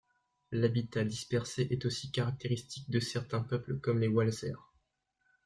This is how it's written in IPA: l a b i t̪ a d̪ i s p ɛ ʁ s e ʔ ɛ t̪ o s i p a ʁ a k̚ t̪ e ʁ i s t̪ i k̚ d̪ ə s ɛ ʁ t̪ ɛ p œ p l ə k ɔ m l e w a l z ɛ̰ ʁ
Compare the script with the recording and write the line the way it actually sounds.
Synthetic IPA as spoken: l a b i t̪ a d̪ i s p ɛ ʁ s e ʔ ɛ t̪ o s i k a ʁ a k̚ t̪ e ʁ i s t̪ i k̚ d̪ ə s ɛ ʁ t̪ ɛ̃ p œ p l ə k ɔ m l e w a l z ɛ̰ ʁ